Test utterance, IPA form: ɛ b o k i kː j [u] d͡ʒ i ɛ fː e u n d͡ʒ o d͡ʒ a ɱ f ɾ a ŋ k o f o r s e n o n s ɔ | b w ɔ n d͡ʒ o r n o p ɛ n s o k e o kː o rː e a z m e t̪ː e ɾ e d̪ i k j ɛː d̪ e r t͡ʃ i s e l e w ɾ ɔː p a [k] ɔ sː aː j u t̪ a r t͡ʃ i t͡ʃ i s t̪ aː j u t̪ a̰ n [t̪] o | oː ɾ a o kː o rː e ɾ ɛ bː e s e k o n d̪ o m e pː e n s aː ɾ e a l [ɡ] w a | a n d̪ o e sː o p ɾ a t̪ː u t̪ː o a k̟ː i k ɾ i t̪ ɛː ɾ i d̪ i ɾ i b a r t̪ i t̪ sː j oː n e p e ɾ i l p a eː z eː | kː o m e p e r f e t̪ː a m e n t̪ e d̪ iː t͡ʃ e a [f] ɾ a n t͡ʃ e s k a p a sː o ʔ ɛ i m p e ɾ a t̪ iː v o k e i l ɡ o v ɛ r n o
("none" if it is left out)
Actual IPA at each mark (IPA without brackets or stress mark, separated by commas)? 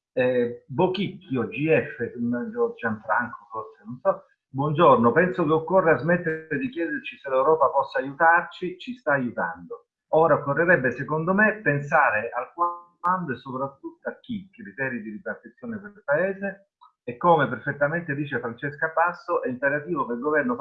o, p, d̪, k, f